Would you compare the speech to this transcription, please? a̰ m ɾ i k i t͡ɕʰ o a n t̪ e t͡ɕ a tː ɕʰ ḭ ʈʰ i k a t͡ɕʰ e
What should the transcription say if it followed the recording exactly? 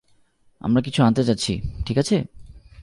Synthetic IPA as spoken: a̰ m ɾ a k i t͡ɕʰ u a n t̪ e t͡ɕ a tː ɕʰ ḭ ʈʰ i k a t͡ɕʰ e